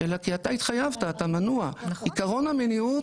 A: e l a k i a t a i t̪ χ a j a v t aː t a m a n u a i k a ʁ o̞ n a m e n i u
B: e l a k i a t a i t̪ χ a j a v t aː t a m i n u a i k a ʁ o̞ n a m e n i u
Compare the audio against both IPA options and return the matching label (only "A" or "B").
A